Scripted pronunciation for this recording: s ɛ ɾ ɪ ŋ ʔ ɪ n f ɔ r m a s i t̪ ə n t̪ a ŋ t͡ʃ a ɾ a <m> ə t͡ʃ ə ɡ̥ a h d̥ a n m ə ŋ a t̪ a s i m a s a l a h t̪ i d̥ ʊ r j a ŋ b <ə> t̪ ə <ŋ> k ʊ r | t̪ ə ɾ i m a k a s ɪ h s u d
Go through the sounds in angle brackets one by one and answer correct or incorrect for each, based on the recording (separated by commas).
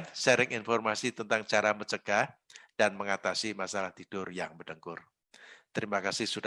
correct, correct, correct